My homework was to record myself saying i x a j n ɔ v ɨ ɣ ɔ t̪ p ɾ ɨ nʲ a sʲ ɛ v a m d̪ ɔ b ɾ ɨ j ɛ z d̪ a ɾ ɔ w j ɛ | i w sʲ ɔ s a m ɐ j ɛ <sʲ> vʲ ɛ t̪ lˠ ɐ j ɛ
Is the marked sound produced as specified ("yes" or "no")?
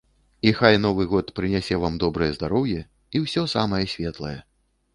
yes